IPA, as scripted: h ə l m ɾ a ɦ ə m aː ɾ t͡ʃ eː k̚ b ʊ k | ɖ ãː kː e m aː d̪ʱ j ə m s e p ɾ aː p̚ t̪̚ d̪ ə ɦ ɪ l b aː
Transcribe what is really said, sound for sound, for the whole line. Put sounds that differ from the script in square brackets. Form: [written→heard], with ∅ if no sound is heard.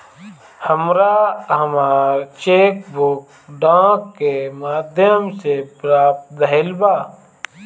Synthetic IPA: h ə [l→∅] m ɾ a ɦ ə m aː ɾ t͡ʃ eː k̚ b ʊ k | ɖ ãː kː e m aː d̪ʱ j ə m s e p ɾ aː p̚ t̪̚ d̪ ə ɦ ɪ l b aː